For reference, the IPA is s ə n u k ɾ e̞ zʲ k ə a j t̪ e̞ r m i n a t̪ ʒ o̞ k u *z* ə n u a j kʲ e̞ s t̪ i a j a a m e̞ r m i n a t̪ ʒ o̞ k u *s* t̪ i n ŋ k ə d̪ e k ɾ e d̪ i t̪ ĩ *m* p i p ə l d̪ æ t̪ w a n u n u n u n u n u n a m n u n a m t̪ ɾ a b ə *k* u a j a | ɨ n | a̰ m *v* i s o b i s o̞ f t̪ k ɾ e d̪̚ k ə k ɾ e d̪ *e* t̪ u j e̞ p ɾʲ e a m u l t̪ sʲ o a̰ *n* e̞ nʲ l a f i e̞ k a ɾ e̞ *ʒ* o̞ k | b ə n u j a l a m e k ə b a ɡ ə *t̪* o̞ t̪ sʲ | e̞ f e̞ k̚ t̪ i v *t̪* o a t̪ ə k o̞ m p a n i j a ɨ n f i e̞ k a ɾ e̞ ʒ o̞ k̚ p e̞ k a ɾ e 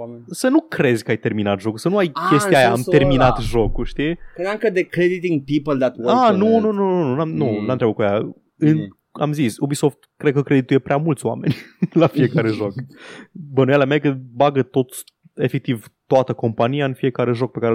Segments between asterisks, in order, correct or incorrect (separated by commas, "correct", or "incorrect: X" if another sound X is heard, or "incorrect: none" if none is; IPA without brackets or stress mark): incorrect: s, incorrect: ʃ, incorrect: ŋ, correct, incorrect: z, incorrect: i, incorrect: m, correct, correct, correct